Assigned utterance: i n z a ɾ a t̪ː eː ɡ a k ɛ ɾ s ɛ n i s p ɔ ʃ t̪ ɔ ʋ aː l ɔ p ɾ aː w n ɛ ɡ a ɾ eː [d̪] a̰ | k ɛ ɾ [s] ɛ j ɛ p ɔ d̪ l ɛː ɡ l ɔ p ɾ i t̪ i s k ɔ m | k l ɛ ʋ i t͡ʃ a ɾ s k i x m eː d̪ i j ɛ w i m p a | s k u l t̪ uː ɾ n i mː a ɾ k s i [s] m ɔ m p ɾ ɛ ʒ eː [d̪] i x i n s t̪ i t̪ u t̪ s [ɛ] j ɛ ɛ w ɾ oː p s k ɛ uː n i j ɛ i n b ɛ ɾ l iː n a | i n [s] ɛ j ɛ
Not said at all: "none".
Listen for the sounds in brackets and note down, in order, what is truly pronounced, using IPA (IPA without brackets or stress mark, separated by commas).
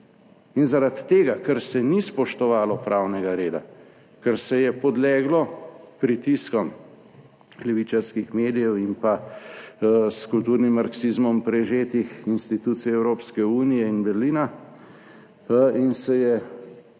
d̪, s, z, t̪, i, s